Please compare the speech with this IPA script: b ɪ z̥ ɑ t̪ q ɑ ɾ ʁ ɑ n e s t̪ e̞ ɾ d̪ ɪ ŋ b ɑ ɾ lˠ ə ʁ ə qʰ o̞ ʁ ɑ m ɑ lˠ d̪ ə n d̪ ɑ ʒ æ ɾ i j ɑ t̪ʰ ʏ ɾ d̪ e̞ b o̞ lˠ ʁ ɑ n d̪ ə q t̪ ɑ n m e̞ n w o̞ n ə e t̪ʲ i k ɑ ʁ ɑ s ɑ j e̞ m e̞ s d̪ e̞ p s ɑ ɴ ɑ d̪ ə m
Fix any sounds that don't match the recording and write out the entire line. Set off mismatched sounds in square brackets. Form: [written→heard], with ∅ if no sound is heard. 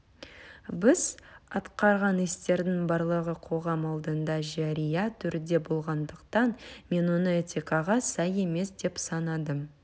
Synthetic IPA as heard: b ɪ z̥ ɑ t̪ q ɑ ɾ ʁ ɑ n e s t̪ e̞ ɾ d̪ ɪ ŋ b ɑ ɾ lˠ ə ʁ ə qʰ o̞ ʁ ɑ m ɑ lˠ d̪ ə n d̪ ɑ ʒ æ ɾ i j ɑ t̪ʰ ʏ ɾ d̪ e̞ b o̞ lˠ ʁ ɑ n d̪ ə q t̪ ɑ n m e̞ n w o̞ n ə e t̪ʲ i k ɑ ʁ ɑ s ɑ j e̞ m e̞ s d̪ e̞ p s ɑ [ɴ→n] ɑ d̪ ə m